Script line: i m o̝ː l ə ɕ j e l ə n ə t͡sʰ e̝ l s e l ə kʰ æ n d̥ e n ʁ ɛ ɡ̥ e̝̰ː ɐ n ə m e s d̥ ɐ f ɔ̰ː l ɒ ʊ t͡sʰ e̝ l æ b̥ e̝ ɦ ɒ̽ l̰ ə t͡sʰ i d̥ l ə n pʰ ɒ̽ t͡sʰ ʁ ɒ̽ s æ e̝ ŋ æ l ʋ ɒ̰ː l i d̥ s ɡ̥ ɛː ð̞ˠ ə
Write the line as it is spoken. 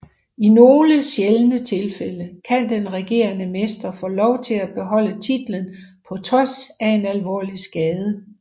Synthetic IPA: i n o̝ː l ə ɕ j e l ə n ə t͡sʰ e̝ l f e l ə kʰ æ n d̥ e n ʁ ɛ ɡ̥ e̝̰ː ɐ n ə m e s d̥ ɐ f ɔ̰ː l ɒ ʊ t͡sʰ e̝ l æ b̥ e̝ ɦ ɒ̽ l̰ ə t͡sʰ i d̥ l ə n pʰ ɒ̽ t͡sʰ ʁ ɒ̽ s æ e̝ n æ l ʋ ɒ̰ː l i s ɡ̥ ɛː ð̞ˠ ə